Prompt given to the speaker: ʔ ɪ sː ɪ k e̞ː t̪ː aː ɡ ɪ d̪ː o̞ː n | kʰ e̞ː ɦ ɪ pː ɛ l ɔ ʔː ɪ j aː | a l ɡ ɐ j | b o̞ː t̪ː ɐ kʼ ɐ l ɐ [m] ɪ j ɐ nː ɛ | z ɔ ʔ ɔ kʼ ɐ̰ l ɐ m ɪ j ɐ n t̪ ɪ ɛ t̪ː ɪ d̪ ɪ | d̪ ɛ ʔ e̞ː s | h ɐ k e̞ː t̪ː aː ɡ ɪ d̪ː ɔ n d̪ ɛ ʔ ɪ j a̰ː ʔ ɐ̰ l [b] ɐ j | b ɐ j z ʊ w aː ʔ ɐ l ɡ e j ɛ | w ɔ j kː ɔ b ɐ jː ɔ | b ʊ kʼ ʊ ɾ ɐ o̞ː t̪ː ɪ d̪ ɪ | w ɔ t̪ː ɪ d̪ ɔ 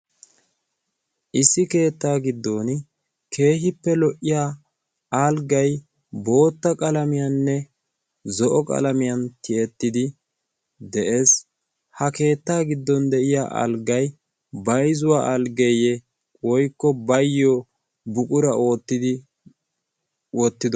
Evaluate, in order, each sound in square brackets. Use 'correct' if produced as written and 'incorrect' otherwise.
correct, incorrect

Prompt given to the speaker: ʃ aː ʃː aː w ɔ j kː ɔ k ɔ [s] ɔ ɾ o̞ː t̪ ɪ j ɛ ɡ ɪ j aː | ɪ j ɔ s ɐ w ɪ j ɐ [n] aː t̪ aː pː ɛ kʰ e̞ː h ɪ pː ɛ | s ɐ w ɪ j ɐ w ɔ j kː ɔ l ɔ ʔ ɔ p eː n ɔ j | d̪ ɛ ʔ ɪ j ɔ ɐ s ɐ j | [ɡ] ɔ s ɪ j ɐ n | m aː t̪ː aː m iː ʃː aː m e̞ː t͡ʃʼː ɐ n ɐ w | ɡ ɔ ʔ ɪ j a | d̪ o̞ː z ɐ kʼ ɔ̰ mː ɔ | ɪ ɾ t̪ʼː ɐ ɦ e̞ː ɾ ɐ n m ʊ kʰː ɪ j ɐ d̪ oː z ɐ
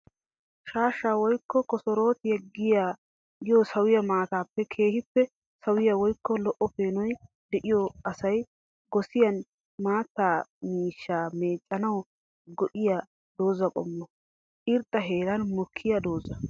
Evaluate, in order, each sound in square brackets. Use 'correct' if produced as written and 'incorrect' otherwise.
correct, incorrect, correct

